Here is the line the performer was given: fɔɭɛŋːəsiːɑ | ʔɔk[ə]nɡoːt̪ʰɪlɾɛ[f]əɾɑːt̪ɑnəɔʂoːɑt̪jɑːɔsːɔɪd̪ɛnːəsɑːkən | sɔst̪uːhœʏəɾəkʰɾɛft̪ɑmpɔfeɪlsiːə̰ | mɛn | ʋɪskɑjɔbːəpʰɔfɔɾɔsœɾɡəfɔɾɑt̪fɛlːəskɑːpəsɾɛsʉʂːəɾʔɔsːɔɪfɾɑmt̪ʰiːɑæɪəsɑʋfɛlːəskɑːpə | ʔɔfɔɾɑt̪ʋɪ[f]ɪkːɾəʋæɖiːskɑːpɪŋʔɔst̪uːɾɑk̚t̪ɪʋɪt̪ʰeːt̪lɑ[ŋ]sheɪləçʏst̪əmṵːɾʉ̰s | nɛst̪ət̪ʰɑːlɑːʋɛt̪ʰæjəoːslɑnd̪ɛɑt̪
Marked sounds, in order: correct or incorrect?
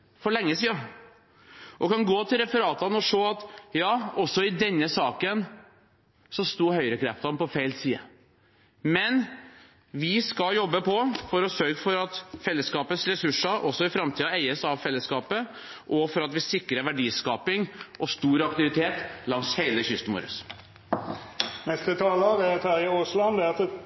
incorrect: ɑ, correct, incorrect: s, correct

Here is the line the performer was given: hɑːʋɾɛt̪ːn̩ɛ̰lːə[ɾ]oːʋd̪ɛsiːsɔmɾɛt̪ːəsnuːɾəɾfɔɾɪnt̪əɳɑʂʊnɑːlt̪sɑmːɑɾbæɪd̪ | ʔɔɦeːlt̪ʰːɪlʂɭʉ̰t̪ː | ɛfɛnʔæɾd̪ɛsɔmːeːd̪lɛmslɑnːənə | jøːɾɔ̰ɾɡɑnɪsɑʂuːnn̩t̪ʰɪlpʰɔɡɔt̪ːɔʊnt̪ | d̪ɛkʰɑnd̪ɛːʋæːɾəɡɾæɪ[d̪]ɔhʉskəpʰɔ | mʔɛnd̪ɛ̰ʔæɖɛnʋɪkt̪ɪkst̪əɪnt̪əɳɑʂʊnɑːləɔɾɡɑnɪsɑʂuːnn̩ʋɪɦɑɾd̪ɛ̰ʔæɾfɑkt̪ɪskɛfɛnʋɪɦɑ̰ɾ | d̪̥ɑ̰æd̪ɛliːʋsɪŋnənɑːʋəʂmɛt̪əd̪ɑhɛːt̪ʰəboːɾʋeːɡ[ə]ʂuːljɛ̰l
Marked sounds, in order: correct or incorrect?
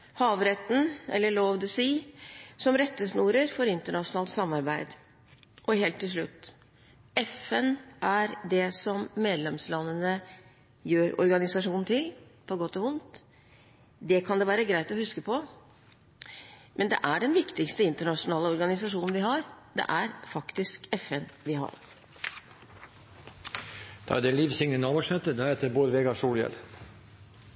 incorrect: ɭ, incorrect: t̪, incorrect: ɑ

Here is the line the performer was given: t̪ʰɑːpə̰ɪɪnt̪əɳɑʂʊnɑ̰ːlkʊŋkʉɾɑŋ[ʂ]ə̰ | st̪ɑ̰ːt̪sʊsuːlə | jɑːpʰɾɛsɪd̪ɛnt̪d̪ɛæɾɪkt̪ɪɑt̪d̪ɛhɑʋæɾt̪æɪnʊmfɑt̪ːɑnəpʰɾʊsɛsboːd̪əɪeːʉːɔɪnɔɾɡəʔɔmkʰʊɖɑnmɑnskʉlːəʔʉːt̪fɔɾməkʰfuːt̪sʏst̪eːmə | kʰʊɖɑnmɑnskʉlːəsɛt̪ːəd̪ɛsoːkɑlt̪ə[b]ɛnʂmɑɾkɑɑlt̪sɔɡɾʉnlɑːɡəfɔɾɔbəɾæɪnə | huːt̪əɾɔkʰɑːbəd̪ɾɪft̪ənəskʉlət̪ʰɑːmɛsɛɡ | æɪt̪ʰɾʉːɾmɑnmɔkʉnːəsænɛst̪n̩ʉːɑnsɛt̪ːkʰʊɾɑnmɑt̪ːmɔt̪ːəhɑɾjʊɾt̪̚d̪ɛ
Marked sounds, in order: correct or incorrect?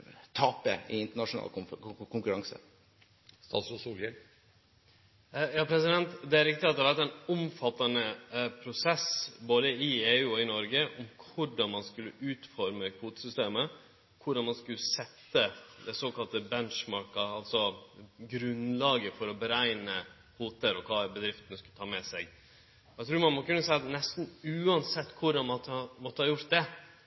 incorrect: s, correct

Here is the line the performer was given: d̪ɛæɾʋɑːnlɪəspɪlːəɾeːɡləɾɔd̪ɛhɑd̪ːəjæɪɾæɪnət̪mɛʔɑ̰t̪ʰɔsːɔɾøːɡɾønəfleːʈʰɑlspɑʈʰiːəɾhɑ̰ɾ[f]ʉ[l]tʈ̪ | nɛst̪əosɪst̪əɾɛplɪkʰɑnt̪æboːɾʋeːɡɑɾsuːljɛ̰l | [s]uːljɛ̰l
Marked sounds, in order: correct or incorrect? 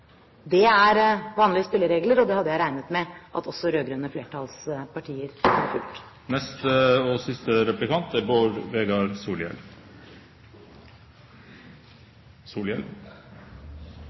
correct, correct, correct

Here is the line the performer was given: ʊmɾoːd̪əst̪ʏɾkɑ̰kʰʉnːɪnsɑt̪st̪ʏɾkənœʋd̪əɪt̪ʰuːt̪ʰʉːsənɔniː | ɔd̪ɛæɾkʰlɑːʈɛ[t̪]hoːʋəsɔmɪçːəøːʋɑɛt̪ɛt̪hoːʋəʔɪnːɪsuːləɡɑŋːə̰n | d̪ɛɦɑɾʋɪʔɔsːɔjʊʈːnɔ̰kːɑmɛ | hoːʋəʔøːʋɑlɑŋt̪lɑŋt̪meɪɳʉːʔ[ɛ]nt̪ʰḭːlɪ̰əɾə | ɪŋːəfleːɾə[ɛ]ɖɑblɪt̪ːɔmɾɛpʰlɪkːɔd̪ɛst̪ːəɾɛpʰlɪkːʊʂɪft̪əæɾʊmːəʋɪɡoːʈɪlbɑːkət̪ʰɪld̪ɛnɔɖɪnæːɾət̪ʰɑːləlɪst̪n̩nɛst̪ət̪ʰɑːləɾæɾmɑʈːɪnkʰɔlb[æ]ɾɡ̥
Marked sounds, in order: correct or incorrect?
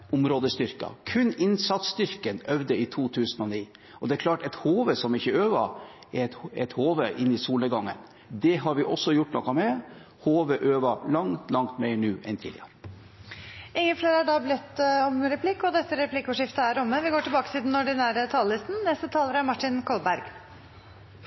correct, correct, incorrect: æ, correct

